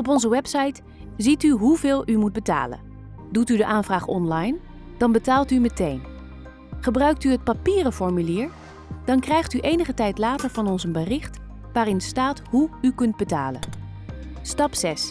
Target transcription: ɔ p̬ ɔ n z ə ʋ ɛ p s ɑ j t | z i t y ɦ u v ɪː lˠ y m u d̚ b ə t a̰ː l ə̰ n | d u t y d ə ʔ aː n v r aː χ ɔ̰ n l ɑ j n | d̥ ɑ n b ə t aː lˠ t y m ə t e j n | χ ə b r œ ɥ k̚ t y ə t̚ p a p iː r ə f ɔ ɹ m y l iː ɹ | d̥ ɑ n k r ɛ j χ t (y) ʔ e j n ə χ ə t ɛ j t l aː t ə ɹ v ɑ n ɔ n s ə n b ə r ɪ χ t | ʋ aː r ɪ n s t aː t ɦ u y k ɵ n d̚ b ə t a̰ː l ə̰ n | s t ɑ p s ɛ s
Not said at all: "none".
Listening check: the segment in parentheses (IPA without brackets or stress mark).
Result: y